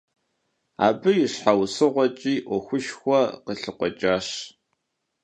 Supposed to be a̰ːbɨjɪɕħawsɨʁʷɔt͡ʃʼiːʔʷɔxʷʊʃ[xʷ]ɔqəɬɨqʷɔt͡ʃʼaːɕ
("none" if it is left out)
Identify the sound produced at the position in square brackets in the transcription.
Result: xʷ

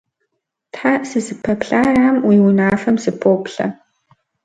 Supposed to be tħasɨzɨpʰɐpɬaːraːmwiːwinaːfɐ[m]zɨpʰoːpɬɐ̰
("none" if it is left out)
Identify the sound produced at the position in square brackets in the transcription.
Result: m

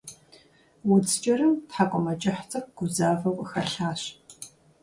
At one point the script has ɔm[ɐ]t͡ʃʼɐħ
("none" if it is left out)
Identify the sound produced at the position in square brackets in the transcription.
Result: ɐ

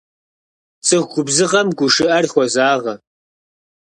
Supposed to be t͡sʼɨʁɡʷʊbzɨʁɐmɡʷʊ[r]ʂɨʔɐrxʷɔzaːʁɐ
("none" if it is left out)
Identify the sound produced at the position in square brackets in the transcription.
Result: none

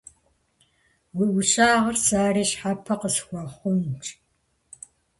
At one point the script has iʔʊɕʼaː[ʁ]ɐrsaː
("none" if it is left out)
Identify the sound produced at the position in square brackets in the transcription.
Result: ʁ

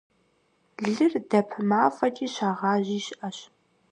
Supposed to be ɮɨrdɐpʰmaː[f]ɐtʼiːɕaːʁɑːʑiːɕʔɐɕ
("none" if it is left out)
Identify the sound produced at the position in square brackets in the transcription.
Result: f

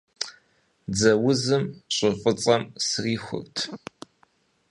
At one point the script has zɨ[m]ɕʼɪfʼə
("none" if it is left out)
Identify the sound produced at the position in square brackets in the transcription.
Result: m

